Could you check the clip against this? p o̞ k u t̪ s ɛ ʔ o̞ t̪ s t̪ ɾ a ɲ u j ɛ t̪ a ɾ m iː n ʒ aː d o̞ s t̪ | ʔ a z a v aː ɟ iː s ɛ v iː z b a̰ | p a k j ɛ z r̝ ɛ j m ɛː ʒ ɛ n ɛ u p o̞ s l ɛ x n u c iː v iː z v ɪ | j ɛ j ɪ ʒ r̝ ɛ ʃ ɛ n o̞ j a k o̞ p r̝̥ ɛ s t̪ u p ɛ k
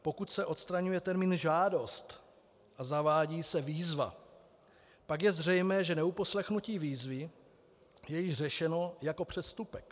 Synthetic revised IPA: p o̞ k u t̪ s ɛ ʔ o̞ t̪ s t̪ ɾ a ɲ u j ɛ t̪ ɛ ɾ m iː n ʒ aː d o̞ s t̪ | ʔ a z a v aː ɟ iː s ɛ v iː z v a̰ | p a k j ɛ z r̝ ɛ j m ɛː ʒ ɛ n ɛ u p o̞ s l ɛ x n u c iː v iː z v ɪ | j ɛ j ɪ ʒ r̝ ɛ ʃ ɛ n o̞ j a k o̞ p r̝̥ ɛ s t̪ u p ɛ k